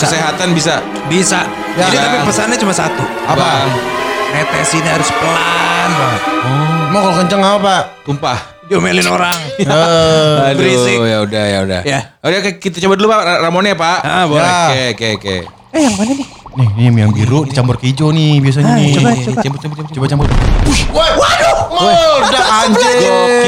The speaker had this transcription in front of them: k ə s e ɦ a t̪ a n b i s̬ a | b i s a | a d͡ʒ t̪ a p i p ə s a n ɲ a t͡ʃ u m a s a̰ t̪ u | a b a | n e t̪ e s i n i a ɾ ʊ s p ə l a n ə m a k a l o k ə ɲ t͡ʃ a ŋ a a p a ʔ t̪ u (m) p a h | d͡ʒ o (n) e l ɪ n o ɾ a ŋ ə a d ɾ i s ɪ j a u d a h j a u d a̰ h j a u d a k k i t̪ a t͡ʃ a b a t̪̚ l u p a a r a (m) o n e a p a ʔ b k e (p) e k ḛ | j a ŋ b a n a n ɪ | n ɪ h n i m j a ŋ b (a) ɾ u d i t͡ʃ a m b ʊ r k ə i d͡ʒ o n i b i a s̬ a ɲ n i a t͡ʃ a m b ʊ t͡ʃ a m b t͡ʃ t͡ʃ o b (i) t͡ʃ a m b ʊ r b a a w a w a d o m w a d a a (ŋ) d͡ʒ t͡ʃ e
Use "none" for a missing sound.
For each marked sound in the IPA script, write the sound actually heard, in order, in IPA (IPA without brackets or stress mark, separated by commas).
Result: m, m, m, k, i, a, ɲ